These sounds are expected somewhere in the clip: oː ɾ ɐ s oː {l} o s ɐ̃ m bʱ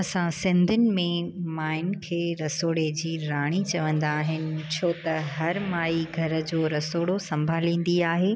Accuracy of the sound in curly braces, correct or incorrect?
incorrect